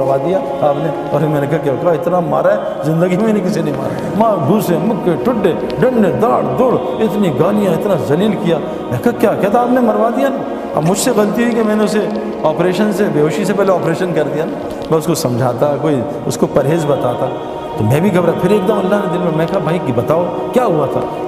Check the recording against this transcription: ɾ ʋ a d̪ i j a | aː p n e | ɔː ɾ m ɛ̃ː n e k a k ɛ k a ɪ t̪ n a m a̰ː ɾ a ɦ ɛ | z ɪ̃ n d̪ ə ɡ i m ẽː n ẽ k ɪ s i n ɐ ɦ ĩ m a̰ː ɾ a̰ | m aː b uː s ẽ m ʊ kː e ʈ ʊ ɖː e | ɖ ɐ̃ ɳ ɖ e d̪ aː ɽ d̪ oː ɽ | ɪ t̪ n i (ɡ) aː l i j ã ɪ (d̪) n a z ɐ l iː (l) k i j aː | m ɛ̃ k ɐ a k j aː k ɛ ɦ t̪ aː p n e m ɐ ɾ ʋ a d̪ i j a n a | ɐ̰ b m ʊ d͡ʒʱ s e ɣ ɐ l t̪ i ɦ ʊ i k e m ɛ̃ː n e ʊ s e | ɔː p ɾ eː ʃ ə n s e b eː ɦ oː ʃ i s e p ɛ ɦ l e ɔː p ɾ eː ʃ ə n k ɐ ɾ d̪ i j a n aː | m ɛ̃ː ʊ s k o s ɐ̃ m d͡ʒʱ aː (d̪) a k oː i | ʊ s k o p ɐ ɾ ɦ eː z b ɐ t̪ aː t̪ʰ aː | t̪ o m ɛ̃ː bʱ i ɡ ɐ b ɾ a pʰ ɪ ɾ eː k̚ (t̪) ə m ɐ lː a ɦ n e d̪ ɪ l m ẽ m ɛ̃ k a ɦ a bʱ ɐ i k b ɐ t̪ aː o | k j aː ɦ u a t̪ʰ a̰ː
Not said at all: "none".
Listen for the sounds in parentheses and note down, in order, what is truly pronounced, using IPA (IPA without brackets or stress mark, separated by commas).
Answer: ɡ, t̪, l, t̪, d̪